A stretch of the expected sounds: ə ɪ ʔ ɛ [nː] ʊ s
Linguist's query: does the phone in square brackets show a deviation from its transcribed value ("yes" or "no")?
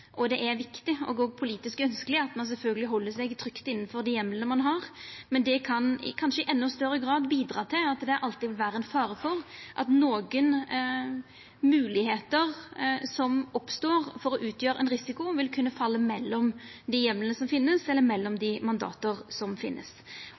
no